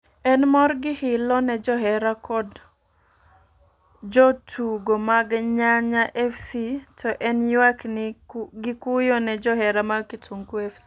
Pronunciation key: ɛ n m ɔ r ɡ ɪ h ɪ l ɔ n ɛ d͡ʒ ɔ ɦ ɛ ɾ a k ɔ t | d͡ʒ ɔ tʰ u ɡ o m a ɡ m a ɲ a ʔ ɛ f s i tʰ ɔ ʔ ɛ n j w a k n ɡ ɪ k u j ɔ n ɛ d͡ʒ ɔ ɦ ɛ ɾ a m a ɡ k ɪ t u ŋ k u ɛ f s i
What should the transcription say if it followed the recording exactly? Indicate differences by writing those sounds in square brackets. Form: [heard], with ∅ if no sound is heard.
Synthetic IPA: ɛ n m ɔ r ɡ ɪ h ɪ l ɔ n ɛ d͡ʒ ɔ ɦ ɛ ɾ a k ɔ [d] | d͡ʒ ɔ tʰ u ɡ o m a ɡ [ɲ] a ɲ a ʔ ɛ f s i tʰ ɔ ʔ ɛ n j w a k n ɡ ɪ k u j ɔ n ɛ d͡ʒ ɔ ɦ ɛ ɾ a m a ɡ k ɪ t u ŋ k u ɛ f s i